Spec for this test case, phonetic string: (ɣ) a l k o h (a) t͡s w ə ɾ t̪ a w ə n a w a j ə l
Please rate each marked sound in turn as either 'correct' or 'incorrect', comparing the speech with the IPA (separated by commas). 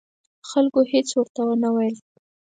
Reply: incorrect, incorrect